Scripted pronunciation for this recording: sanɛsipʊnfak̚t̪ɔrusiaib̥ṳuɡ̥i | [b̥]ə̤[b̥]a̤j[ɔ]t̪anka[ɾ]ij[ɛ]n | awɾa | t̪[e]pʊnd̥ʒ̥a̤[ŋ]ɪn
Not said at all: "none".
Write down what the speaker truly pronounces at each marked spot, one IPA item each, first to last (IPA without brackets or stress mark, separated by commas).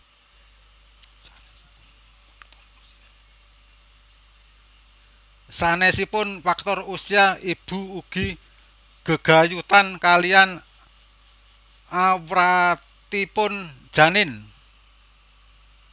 ɡ̥, ɡ̥, u, l, a, i, n